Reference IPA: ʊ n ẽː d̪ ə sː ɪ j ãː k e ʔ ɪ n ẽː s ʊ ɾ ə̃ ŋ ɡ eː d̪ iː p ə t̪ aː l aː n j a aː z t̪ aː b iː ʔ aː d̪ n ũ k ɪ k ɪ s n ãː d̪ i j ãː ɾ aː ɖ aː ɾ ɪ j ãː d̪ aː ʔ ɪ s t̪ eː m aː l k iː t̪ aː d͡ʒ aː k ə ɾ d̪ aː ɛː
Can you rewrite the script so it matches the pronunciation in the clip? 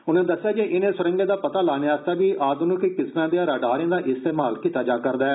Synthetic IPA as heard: ʊ n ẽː d̪ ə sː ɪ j aː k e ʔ ɪ n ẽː s ʊ ɾ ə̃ ŋ ɡ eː d̪ aː p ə t̪ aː l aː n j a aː s t̪ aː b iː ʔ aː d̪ n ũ k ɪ k ɪ s n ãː d̪ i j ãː ɾ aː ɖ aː ɾ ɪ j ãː d̪ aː ʔ ɪ s t̪ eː m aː l k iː t̪ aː d͡ʒ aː k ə ɾ d̪ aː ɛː